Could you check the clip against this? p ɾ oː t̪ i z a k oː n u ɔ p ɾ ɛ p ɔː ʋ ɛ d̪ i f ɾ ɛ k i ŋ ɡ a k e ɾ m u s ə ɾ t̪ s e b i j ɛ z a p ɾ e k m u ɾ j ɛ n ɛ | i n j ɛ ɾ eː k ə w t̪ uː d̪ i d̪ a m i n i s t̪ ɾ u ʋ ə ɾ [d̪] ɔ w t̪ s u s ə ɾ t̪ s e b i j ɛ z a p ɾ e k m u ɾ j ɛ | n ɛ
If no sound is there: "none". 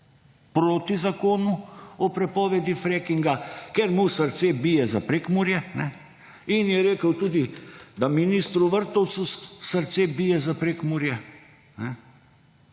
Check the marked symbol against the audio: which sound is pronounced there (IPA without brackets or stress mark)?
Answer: t̪